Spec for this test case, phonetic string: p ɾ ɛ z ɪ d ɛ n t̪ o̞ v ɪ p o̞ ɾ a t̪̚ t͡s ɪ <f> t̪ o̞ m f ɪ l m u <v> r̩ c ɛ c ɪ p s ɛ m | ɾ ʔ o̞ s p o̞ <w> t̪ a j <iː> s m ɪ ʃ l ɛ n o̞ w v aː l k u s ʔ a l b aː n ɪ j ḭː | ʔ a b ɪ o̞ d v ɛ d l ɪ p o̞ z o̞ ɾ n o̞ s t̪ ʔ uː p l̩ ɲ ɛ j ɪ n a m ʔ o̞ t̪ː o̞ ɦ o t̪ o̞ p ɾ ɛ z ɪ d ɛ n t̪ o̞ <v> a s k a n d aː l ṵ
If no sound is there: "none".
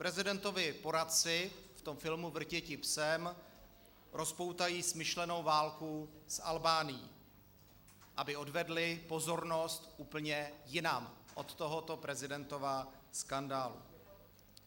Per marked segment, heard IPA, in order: f, v, w, iː, v

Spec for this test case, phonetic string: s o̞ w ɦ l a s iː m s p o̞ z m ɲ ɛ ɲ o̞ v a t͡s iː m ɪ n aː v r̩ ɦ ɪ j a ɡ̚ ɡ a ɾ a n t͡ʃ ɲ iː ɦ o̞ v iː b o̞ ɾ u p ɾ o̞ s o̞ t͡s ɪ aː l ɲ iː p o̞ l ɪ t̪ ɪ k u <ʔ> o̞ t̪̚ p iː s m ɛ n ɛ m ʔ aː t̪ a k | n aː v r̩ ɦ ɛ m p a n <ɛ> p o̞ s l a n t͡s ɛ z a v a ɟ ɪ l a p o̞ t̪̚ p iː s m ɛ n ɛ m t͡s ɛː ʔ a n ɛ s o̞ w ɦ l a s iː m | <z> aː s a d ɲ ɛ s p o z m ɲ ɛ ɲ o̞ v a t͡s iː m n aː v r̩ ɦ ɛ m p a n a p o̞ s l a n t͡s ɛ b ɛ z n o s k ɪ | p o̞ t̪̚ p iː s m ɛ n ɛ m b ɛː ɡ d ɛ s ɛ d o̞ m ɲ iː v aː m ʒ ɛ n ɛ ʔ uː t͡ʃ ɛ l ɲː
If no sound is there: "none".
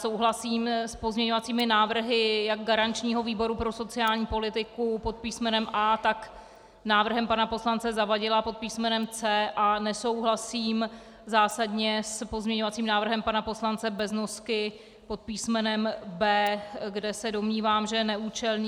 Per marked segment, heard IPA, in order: p, a, z

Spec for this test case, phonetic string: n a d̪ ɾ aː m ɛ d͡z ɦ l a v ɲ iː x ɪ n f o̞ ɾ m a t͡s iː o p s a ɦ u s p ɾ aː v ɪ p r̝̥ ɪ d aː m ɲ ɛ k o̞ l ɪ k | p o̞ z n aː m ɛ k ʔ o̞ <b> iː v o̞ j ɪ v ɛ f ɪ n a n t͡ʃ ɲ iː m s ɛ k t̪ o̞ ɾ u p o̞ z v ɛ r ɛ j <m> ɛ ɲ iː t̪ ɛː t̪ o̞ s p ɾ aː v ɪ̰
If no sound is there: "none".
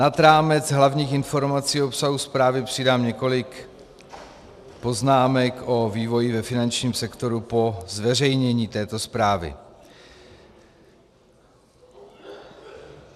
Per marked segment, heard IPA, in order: v, ɲ

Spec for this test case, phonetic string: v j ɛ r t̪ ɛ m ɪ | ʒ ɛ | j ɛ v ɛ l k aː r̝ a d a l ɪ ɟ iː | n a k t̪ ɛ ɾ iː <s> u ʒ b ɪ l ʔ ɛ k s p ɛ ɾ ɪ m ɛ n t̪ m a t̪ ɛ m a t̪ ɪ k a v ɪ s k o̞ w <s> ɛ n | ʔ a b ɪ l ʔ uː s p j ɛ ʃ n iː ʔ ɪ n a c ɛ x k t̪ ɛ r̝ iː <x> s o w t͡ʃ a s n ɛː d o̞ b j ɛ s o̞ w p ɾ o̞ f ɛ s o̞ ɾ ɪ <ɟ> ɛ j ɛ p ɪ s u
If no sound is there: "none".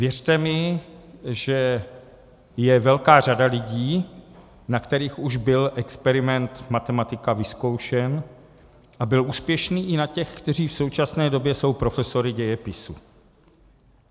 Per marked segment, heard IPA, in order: x, ʃ, f, ɟ

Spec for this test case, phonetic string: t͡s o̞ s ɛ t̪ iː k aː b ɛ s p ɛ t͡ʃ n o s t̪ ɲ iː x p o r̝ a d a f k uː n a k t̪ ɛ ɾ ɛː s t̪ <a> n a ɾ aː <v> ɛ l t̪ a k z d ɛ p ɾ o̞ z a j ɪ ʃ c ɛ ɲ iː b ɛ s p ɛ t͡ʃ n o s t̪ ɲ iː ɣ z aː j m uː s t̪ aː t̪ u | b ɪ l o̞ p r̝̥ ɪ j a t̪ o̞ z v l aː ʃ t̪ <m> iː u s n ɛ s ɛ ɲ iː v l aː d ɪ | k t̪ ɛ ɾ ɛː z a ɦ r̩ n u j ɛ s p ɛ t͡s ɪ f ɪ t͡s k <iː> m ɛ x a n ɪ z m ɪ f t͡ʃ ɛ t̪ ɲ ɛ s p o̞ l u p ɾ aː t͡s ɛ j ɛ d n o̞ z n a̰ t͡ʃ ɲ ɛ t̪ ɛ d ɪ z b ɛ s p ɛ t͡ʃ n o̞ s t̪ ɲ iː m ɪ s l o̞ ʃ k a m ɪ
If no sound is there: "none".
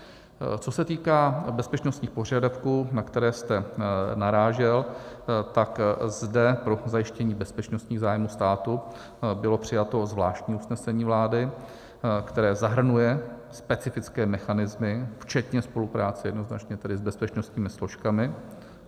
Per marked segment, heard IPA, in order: ɛ, ʒ, ɲ, ɛː

